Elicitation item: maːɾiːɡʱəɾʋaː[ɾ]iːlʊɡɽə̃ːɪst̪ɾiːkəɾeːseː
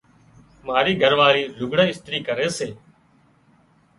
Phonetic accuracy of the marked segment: correct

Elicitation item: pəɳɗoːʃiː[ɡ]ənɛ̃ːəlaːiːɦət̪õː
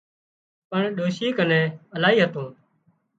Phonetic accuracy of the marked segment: incorrect: k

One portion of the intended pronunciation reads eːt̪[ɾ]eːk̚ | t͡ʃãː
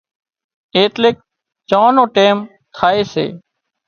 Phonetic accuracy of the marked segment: incorrect: l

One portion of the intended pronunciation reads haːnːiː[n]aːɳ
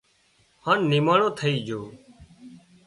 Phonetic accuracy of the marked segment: incorrect: m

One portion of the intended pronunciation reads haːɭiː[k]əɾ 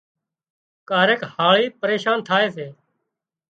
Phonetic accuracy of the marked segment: incorrect: p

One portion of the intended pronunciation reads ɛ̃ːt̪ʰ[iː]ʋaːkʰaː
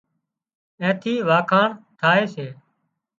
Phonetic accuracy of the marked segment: correct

